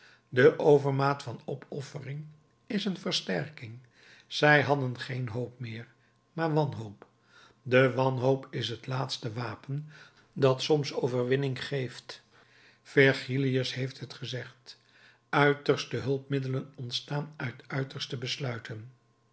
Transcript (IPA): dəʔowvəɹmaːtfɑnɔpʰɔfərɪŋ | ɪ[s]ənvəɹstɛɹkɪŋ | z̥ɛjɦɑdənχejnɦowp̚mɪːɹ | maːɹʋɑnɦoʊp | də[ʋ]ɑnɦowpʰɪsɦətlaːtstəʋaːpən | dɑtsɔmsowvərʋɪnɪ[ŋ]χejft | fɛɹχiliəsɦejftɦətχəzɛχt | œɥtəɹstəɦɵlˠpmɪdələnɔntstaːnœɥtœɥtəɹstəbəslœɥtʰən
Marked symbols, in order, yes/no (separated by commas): yes, yes, yes